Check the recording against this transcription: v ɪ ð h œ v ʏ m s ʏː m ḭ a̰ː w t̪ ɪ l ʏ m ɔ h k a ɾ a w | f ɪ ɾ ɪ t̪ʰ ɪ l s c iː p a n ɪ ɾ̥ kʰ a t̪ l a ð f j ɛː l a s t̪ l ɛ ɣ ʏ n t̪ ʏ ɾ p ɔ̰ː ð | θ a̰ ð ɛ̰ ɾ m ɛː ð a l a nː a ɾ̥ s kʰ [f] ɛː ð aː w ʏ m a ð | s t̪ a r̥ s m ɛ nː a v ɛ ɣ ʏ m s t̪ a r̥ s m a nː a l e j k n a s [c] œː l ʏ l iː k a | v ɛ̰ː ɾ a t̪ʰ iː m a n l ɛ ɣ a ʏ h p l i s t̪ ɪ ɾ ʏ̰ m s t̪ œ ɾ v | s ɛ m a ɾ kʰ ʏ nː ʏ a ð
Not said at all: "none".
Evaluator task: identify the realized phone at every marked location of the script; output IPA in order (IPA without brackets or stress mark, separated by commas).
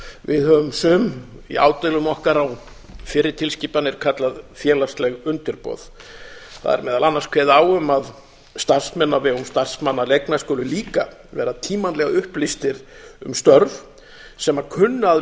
v, k